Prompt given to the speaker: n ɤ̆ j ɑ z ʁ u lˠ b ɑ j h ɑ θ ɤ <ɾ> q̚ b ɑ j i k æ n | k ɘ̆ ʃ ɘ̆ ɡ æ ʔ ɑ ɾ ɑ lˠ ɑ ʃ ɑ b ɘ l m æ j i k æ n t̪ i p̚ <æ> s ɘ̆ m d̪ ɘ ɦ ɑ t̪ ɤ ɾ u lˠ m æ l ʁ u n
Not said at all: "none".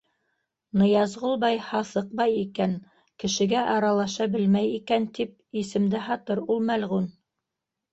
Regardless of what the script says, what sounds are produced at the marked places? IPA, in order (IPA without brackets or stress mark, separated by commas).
none, i